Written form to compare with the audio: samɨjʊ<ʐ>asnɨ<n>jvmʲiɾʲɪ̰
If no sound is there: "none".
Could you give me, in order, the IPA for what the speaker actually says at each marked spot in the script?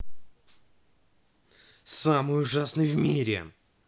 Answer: ʐ, none

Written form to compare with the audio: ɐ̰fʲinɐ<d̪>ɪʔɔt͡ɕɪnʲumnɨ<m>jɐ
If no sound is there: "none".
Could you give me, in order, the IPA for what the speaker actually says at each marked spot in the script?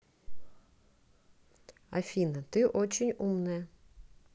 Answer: t̪, none

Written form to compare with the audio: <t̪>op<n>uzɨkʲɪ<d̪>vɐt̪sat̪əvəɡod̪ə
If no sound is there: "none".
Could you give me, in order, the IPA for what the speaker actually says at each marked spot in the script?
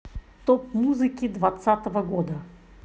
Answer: t̪, m, d̪

